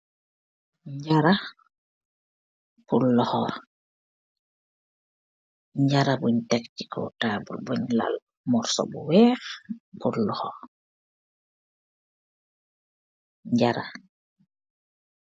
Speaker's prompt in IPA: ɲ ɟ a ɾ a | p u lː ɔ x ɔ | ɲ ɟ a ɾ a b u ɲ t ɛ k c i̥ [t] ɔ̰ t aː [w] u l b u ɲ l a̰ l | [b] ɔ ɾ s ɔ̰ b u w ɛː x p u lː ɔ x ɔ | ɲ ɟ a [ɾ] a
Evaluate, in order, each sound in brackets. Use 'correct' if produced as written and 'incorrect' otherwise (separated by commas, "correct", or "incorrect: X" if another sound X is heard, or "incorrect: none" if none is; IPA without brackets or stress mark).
incorrect: k, incorrect: b, incorrect: m, correct